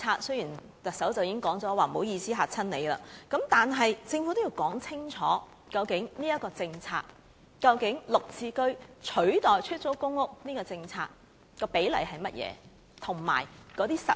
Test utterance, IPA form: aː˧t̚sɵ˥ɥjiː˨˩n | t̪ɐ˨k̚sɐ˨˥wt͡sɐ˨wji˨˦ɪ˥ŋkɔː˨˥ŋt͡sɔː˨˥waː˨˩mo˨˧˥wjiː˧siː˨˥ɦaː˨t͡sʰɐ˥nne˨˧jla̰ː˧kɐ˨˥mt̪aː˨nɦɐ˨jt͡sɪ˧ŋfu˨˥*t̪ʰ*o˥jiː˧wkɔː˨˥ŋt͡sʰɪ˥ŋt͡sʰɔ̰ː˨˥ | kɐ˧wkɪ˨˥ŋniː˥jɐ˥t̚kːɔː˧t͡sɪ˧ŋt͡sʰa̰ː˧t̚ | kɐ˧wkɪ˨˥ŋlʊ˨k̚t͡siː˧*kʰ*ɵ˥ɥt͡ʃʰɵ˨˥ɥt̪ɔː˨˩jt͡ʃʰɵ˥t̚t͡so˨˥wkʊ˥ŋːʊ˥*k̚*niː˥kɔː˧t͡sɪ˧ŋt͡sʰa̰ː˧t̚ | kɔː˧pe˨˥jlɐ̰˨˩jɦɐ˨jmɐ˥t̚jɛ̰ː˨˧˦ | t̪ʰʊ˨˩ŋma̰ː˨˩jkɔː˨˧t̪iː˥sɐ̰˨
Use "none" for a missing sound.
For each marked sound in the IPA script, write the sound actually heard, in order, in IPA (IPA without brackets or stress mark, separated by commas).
t̪, k, k̚